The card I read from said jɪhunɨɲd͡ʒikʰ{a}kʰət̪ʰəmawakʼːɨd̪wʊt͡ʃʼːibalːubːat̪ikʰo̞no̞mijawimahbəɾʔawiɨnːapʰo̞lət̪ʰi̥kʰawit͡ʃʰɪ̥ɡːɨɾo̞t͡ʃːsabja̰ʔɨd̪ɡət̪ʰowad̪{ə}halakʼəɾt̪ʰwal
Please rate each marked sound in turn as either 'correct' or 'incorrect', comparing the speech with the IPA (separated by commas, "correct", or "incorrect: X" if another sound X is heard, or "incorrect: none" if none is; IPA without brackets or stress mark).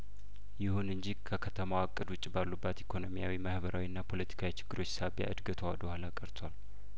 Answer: incorrect: ə, correct